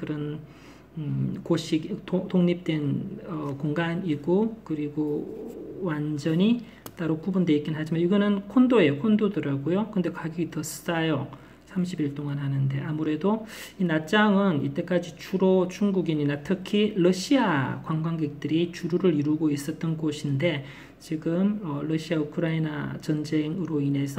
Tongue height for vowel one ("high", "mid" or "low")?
high